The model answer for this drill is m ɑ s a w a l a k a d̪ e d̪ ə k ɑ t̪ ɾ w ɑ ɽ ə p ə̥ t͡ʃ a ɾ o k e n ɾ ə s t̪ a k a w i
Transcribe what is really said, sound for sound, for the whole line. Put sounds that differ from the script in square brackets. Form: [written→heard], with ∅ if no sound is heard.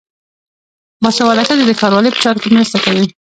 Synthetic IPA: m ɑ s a w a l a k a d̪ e d̪ ə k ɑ [t̪→∅] ɾ w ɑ [ɽ→l] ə p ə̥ t͡ʃ [a→ɑ] ɾ o k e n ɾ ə s t̪ a k a w i